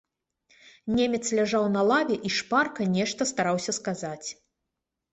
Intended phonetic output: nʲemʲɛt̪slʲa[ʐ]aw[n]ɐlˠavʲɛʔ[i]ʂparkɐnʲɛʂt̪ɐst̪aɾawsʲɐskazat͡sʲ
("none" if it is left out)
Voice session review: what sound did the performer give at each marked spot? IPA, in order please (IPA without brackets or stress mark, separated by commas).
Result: ʐ, n, i